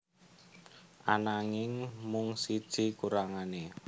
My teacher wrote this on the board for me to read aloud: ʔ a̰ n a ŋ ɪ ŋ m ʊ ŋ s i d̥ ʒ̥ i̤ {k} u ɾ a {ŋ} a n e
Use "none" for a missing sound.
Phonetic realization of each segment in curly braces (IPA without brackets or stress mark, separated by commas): k, ŋ